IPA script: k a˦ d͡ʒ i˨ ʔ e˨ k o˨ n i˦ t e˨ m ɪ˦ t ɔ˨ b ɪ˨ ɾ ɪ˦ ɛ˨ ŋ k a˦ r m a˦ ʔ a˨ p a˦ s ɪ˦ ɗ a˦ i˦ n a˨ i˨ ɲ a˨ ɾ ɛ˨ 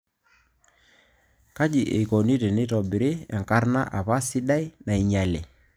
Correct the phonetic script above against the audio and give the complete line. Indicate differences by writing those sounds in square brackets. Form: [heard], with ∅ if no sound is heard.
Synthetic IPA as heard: k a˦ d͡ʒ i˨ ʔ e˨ k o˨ n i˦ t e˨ [n] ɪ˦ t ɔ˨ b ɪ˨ ɾ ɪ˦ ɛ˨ ŋ k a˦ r [n] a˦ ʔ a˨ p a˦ s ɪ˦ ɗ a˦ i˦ n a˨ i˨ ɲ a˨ [l] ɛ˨